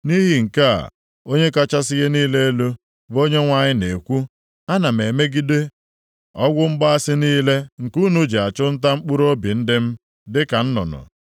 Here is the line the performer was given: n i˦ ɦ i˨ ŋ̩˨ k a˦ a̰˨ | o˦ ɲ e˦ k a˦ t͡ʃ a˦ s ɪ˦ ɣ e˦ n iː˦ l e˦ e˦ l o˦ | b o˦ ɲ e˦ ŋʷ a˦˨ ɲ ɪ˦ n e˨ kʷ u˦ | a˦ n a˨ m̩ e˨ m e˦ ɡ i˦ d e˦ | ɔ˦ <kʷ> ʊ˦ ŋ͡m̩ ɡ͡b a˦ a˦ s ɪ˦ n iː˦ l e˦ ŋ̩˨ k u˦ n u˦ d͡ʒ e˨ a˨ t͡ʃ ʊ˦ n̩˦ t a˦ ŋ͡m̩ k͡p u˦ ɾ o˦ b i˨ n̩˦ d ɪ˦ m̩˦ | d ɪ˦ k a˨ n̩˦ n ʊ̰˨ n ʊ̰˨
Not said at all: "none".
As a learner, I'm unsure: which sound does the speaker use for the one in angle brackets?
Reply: ɡʷ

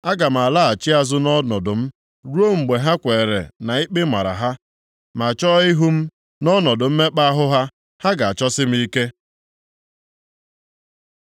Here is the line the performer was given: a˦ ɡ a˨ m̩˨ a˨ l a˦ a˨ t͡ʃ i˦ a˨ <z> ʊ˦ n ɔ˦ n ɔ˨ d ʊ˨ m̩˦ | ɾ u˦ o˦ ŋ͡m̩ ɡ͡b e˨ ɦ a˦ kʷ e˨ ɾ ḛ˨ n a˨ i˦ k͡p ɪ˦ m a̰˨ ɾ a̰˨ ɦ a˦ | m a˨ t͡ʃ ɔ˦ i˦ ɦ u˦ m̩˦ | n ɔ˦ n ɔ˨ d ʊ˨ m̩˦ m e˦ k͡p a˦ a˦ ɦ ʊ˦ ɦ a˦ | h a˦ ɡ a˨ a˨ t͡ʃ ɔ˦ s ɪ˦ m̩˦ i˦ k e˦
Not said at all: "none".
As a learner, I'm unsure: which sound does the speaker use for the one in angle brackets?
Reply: z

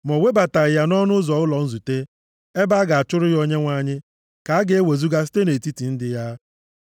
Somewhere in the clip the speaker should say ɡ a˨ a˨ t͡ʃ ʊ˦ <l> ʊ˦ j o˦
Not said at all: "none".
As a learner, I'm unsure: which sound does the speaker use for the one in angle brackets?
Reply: ɾ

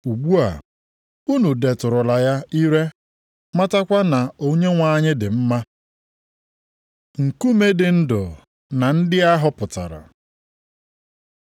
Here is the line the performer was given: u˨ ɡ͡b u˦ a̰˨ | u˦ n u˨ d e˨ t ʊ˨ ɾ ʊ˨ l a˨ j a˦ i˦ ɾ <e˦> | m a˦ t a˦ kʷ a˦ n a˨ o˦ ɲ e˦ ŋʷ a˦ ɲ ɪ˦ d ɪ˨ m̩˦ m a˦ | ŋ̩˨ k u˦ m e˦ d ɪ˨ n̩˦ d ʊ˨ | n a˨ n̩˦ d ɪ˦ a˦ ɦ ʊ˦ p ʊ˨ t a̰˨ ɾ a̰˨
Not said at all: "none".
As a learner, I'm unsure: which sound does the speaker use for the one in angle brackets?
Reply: e˦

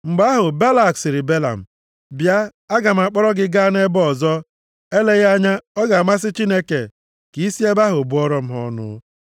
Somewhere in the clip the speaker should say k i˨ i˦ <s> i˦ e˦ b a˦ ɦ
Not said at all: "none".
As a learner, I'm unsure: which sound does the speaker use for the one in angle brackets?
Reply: s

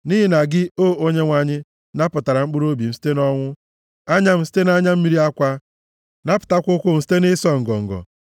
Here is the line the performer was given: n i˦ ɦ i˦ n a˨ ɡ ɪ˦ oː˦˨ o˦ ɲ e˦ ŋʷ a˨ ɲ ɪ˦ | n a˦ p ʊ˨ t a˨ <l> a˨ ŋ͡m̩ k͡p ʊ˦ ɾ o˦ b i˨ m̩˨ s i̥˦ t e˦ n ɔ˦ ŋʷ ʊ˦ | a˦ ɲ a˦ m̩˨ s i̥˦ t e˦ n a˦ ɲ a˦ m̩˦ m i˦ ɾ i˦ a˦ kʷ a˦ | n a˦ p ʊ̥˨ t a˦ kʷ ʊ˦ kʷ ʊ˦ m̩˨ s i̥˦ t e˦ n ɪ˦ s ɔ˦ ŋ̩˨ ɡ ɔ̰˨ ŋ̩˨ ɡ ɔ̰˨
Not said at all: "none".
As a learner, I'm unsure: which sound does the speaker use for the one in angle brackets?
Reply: ɾ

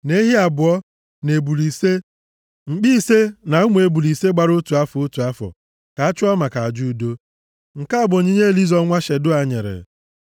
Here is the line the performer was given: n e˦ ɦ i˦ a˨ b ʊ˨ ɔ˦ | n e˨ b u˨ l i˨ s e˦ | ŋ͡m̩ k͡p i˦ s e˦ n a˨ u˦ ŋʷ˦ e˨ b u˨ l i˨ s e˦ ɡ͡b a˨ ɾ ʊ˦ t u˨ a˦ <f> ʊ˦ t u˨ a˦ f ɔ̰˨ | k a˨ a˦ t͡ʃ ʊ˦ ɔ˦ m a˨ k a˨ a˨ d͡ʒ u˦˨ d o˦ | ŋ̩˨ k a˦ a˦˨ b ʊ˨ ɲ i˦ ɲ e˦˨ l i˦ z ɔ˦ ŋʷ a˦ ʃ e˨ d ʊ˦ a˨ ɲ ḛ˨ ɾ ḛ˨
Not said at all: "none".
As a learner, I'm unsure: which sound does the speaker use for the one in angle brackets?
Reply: f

